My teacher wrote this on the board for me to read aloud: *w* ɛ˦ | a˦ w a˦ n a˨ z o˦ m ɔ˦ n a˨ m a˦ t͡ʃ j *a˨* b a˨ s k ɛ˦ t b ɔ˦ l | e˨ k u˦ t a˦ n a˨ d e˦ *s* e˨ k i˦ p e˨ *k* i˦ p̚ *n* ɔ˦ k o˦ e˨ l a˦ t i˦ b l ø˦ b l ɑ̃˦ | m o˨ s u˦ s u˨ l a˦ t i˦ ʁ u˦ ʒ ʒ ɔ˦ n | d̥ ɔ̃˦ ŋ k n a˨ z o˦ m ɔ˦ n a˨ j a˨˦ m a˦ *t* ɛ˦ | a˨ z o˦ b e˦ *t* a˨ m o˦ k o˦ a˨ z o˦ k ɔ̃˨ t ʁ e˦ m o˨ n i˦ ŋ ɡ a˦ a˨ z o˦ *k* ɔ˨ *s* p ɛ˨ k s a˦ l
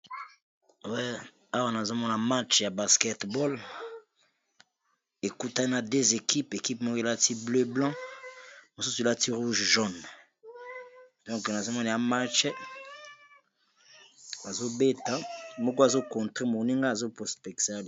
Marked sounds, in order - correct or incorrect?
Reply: correct, correct, incorrect, correct, incorrect, incorrect, correct, incorrect, correct

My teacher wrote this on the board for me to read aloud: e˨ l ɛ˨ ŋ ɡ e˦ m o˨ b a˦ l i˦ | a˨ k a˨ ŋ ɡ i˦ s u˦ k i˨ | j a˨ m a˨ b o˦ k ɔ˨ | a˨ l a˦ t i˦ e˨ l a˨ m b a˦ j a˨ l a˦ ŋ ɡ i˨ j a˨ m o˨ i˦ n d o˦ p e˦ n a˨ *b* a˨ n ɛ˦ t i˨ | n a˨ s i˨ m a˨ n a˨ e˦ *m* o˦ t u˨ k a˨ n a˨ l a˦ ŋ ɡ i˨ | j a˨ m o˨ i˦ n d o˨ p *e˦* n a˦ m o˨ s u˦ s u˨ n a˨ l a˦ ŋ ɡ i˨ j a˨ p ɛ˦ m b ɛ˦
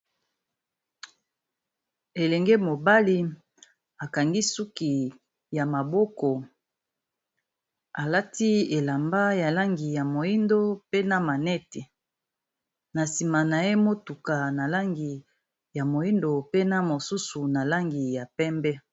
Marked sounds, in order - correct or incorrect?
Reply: incorrect, correct, correct

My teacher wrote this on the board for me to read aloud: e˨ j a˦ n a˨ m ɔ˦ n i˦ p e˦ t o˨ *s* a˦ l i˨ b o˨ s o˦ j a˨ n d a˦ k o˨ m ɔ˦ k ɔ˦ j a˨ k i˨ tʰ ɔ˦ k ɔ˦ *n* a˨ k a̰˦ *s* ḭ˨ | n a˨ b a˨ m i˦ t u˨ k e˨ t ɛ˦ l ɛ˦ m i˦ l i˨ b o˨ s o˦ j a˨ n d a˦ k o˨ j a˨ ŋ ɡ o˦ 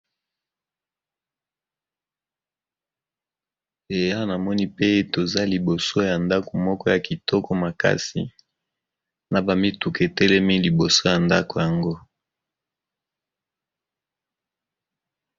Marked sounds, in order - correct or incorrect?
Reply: incorrect, incorrect, correct

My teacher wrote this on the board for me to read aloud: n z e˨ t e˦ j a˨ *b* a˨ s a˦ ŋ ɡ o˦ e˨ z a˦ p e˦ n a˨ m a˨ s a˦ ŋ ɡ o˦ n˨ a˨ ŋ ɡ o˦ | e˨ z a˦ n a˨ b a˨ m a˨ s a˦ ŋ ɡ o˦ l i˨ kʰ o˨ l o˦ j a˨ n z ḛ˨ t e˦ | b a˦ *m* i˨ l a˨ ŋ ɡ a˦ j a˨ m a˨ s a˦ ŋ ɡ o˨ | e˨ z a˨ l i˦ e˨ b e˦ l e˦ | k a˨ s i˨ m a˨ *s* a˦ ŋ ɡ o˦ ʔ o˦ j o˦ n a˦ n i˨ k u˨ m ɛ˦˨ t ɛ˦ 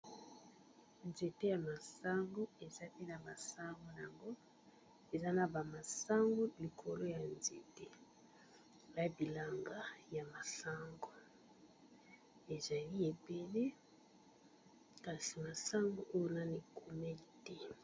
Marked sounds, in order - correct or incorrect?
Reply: incorrect, incorrect, correct

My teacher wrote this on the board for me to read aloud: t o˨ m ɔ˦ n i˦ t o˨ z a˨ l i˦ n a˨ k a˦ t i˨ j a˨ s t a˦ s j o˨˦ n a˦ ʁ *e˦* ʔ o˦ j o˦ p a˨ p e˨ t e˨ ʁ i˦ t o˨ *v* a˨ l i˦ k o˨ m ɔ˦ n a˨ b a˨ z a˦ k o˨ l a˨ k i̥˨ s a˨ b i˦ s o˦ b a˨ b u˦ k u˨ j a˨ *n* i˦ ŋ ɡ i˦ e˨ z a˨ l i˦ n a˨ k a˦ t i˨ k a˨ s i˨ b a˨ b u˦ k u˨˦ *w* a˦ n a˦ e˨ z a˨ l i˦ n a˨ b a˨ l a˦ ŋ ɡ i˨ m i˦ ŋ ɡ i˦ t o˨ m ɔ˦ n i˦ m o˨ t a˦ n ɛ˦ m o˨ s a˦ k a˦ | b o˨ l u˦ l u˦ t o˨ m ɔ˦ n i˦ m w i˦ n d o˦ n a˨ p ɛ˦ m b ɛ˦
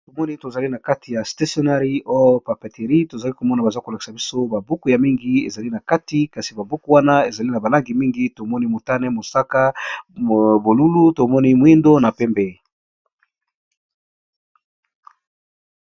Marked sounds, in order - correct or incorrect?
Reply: incorrect, incorrect, incorrect, correct

